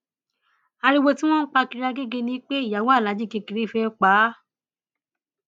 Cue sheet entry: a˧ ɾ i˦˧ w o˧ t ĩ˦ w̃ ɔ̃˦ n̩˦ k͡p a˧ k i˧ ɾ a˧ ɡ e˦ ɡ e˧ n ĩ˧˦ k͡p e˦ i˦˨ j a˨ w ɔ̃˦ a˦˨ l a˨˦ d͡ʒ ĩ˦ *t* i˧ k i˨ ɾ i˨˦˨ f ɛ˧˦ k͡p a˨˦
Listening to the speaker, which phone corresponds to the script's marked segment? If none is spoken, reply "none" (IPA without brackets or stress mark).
k